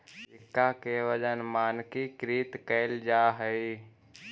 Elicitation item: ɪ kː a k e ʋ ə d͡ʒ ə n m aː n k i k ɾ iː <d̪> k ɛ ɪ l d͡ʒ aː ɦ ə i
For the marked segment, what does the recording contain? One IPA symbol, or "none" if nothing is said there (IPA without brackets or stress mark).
t̪